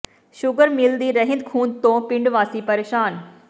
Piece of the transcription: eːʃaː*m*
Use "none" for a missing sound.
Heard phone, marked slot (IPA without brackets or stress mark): n